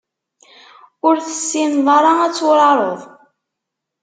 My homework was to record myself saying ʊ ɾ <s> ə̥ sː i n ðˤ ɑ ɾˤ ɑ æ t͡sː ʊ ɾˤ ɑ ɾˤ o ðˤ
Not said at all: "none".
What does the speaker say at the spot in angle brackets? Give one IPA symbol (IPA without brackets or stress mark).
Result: θ